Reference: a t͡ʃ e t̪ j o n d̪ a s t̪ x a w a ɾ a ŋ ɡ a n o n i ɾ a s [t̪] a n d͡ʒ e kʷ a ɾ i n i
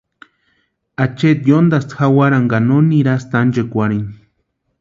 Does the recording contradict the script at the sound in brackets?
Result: no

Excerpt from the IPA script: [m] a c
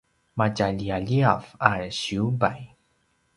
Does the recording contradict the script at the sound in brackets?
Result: no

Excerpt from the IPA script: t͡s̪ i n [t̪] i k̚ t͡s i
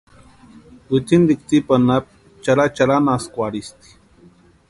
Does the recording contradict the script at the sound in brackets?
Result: yes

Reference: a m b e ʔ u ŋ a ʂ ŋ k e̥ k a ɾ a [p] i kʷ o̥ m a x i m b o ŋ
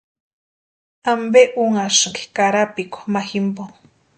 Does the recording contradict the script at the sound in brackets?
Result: no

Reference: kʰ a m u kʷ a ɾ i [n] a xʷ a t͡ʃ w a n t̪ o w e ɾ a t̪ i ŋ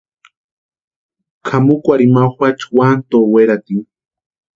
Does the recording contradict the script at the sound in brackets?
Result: yes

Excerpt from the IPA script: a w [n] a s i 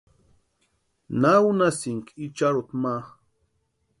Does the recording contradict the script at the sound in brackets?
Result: no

